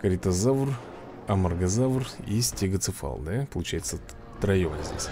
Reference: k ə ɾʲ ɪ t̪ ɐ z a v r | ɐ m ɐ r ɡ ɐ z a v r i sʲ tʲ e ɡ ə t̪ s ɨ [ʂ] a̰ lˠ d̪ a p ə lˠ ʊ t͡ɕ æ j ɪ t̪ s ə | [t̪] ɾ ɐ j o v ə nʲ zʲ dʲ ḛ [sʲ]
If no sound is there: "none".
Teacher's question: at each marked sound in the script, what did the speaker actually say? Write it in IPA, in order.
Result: f, t̪, sʲ

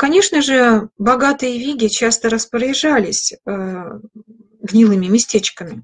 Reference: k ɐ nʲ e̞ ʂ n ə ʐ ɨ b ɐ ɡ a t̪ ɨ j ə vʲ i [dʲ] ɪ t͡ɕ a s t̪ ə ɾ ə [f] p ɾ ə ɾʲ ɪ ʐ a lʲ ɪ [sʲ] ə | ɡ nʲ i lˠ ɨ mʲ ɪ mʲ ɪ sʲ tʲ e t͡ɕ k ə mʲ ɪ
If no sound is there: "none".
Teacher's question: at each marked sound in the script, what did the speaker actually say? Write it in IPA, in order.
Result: ɡʲ, s, sʲ

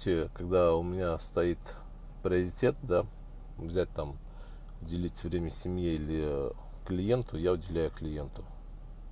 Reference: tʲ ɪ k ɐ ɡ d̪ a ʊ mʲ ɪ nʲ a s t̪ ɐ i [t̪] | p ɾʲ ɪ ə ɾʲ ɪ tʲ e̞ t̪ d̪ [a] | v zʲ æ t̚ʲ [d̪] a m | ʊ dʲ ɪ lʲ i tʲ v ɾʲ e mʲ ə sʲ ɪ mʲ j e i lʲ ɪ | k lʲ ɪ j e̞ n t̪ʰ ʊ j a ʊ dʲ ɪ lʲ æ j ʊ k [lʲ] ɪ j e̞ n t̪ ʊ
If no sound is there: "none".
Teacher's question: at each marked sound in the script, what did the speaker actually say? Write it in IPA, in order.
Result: t̪, a, t̪, lʲ

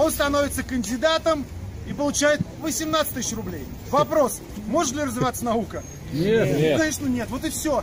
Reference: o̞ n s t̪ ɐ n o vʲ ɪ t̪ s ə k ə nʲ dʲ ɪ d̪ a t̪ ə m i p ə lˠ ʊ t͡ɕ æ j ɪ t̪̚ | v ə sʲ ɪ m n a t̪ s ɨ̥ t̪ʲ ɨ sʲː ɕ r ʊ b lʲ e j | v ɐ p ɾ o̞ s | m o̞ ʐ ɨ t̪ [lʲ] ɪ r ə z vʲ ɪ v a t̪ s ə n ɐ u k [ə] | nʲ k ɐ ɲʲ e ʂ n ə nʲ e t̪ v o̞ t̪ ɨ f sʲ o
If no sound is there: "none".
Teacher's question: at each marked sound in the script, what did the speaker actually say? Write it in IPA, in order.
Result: lʲ, ə

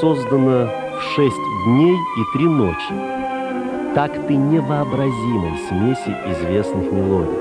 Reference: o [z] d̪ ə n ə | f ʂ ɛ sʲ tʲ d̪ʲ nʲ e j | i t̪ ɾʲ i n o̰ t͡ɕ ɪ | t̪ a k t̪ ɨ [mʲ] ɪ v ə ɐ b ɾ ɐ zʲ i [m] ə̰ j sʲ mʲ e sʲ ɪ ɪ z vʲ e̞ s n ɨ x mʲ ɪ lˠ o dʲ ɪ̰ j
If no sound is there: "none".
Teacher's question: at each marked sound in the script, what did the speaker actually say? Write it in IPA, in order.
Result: z, nʲ, m

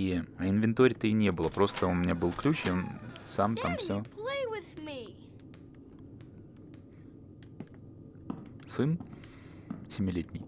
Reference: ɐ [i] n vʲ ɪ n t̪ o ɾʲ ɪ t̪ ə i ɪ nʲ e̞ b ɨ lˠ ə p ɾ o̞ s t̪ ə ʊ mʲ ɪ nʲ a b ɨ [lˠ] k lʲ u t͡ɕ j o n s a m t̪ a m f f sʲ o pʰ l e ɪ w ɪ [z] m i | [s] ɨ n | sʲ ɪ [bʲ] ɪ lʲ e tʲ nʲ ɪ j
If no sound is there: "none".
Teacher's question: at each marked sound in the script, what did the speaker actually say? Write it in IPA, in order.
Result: ɪ, lˠ, ð, s, mʲ

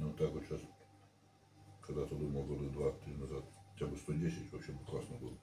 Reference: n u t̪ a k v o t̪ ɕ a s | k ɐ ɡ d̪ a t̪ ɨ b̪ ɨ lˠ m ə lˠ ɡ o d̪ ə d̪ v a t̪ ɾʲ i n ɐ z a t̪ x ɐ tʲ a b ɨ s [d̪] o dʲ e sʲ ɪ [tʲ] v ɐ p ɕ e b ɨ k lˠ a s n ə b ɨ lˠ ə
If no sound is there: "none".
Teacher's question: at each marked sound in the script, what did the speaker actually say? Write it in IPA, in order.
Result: t̪, tʲ

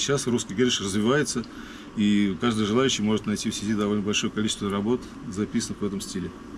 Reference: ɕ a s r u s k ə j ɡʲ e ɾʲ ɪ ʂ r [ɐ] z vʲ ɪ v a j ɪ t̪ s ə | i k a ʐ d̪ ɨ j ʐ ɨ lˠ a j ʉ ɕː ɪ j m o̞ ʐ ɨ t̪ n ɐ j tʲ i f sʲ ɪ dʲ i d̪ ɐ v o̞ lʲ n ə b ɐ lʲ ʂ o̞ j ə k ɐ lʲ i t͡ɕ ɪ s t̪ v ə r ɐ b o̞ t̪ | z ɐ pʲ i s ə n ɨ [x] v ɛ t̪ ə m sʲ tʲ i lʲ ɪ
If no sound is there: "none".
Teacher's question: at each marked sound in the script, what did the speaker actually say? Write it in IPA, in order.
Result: ə, x

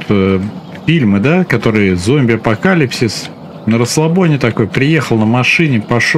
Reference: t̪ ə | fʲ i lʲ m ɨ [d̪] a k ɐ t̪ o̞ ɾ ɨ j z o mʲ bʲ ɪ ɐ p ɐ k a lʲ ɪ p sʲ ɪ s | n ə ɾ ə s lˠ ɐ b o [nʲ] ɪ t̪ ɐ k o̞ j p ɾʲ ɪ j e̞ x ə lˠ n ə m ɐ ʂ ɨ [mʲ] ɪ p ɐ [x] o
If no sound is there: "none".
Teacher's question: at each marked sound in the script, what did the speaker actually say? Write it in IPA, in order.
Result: d̪, nʲ, nʲ, ʂ

